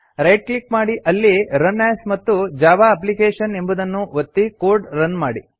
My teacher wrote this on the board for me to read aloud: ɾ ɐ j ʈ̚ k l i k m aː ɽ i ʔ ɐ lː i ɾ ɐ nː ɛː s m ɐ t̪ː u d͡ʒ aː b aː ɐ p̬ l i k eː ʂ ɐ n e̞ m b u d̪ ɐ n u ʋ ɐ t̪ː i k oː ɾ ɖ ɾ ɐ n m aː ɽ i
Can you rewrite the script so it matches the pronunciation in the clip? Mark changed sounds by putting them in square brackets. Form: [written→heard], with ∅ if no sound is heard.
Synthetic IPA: ɾ ɐ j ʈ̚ k l i k m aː ɽ i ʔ ɐ lː i ɾ ɐ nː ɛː s m ɐ t̪ː u d͡ʒ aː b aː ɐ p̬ l i k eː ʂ ɐ n e̞ m b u d̪ ɐ [n→nː] u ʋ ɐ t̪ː i k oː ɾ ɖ ɾ ɐ n m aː ɽ i

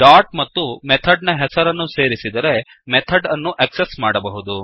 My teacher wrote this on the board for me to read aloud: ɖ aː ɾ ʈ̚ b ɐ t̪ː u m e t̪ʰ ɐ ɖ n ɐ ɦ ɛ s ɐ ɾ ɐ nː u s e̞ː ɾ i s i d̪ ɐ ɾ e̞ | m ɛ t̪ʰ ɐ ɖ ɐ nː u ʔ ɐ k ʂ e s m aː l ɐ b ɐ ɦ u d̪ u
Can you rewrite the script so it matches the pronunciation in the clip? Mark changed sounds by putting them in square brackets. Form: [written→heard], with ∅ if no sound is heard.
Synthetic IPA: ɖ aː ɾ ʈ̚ [b→m] ɐ t̪ː u m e t̪ʰ ɐ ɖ n ɐ ɦ ɛ s ɐ ɾ ɐ nː u s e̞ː ɾ i s i d̪ ɐ ɾ e̞ | m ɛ t̪ʰ ɐ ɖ ɐ nː u ʔ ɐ k [ʂ→s] e s m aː [l→ɽ] ɐ b ɐ ɦ u d̪ u

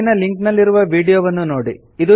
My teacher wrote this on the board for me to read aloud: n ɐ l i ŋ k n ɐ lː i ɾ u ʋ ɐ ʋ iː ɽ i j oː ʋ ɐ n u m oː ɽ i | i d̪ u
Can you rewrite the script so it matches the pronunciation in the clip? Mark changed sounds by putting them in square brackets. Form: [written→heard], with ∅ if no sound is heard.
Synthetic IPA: n ɐ l i ŋ k n ɐ lː i ɾ u ʋ ɐ ʋ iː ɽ i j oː ʋ ɐ [n→nː] u [m→n] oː ɽ i | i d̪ u

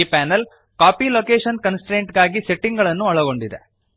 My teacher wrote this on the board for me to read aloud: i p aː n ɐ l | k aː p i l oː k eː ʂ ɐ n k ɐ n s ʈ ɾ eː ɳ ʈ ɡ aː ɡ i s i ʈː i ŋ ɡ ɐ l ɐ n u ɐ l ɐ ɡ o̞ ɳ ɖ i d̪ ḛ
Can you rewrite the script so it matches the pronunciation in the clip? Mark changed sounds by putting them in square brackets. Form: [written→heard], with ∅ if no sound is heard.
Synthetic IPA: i p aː n ɐ l | k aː p i l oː k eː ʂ ɐ n k ɐ n s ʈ ɾ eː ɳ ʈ ɡ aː ɡ i s [i→e] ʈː i ŋ ɡ ɐ [l→ɭ] ɐ [n→nː] u ɐ [l→ɭ] ɐ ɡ o̞ ɳ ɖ i d̪ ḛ

